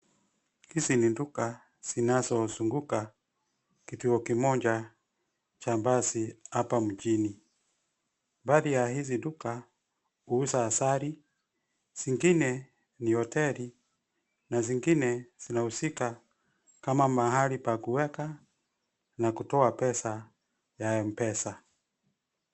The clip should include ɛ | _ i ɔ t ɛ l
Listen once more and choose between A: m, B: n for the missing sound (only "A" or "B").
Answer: B